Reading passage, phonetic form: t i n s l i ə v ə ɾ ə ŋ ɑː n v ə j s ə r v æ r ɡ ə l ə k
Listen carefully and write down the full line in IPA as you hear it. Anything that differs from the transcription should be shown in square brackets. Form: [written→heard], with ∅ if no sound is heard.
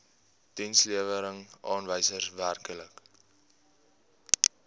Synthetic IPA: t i n s l i ə v ə ɾ ə ŋ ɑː n v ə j s ə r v æ r [ɡ→k] ə l ə k